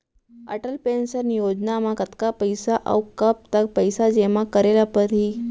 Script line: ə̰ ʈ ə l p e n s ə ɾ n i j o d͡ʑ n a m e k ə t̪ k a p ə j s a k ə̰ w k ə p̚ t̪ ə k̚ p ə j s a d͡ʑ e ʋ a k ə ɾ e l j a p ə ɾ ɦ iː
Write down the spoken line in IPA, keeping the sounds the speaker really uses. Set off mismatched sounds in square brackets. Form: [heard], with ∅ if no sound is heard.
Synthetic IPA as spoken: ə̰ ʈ ə l p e n s ə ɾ n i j o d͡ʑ n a m [a] k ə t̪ k a p ə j s a [ʔ] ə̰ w k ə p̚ t̪ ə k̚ p ə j s a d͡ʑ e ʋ a k ə ɾ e l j a p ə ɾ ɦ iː